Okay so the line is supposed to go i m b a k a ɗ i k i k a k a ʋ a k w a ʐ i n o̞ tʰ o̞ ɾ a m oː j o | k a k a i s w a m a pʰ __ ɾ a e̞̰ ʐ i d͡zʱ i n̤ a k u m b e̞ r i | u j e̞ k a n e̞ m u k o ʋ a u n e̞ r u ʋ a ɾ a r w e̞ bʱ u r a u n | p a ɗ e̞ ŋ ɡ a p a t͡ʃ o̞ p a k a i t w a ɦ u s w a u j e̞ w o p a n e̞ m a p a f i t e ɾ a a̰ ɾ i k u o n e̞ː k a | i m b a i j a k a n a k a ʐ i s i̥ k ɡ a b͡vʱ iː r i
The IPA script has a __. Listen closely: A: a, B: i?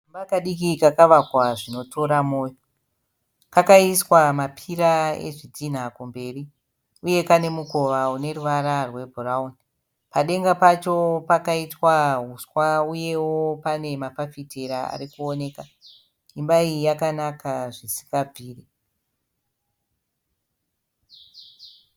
B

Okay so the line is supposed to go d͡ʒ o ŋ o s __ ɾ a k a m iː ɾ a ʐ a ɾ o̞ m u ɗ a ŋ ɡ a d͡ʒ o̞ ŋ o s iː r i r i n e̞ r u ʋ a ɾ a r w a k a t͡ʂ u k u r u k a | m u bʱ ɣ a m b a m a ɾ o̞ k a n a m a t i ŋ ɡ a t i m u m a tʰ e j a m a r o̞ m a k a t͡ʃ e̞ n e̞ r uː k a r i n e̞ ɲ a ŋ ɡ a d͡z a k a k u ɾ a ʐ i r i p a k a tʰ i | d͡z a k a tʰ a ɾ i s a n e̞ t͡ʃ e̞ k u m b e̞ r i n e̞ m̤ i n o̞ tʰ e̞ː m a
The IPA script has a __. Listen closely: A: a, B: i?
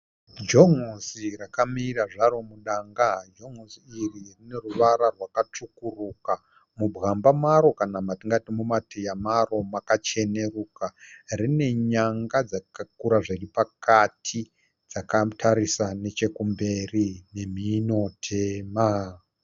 B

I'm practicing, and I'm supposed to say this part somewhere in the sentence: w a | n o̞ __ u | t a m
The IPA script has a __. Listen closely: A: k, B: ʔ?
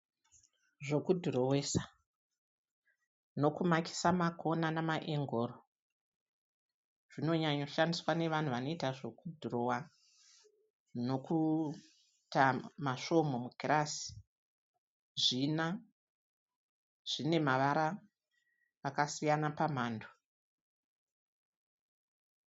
A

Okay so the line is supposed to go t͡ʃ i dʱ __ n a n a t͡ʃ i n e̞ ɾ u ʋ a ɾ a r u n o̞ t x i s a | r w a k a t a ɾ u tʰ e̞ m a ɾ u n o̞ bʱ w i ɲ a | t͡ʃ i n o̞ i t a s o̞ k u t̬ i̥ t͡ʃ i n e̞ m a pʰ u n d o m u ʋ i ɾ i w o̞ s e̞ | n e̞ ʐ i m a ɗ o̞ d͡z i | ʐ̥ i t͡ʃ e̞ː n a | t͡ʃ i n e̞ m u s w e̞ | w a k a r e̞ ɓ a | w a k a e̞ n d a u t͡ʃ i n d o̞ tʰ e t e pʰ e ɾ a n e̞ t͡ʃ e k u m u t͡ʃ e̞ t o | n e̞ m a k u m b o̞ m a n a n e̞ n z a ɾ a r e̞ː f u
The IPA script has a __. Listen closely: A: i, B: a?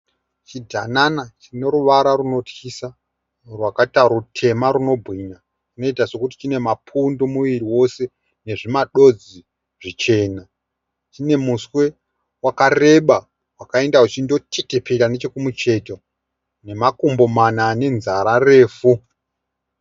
B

